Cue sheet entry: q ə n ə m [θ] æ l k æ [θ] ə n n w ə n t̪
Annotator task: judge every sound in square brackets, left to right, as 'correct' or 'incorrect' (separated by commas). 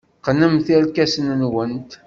correct, incorrect